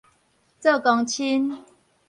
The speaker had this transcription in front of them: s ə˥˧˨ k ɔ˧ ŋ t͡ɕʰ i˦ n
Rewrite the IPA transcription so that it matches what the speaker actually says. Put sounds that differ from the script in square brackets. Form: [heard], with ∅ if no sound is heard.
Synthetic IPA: [t͡s] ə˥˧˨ k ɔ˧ ŋ t͡ɕʰ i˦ n